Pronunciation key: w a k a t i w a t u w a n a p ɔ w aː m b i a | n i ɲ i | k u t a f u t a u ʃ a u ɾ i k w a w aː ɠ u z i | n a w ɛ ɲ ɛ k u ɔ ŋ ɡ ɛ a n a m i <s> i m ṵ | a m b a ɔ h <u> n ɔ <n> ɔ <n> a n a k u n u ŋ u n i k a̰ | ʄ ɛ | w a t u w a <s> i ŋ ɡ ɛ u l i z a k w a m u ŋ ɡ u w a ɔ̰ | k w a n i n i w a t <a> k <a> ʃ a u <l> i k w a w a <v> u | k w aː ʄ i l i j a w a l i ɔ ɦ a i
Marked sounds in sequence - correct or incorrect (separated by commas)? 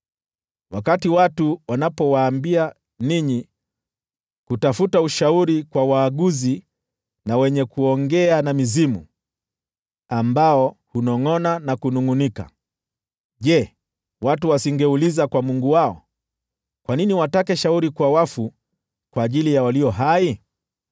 incorrect, correct, incorrect, correct, correct, correct, incorrect, incorrect, incorrect